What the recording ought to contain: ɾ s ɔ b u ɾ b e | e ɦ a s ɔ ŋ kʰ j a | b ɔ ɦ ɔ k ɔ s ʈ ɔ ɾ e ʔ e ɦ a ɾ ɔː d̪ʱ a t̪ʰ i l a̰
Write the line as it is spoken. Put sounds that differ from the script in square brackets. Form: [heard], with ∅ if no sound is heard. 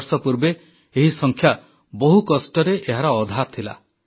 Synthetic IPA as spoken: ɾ s ɔ [p] u ɾ b e | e ɦ [i] s ɔ ŋ kʰ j a | b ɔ ɦ [u] k ɔ s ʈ ɔ ɾ e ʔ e ɦ a ɾ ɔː d̪ʱ a t̪ʰ i l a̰